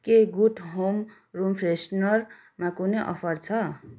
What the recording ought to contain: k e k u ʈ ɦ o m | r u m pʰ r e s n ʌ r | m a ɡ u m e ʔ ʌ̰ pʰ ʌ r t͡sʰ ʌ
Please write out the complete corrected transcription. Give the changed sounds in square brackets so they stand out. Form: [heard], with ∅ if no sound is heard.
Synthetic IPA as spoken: k e [ɡ] u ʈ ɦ o m | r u m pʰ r e s n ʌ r | m a [k] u [n] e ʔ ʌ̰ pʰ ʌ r t͡sʰ ʌ